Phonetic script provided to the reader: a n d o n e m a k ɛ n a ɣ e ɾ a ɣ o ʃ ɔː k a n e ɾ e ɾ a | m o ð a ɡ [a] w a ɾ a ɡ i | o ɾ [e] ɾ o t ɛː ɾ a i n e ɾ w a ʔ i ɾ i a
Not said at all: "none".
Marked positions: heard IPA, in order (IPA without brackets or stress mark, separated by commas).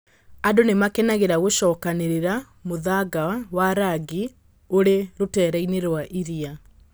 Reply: a, e